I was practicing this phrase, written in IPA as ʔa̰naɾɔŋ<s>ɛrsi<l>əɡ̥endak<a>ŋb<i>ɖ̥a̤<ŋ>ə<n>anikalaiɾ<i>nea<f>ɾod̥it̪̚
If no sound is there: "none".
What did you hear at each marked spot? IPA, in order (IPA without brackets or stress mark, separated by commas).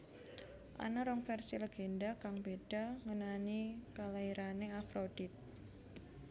f, l, a, e, ŋ, n, a, f